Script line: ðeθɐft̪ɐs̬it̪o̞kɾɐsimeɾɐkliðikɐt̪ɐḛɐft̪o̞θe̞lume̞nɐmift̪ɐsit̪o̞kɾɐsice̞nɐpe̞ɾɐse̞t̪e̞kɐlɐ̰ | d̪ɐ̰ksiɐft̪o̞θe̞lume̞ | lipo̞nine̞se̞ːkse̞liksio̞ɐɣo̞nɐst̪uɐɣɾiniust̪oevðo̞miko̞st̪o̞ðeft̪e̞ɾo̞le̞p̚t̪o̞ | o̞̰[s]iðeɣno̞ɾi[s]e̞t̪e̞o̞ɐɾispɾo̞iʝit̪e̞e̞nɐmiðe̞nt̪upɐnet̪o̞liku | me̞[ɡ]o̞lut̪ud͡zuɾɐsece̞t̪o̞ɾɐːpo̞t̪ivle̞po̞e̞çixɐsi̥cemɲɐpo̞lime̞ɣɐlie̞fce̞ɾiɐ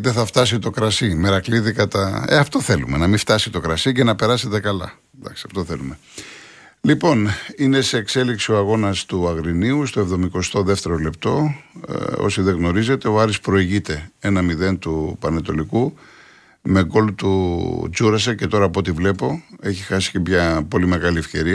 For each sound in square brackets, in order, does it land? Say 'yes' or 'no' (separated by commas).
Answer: yes, no, yes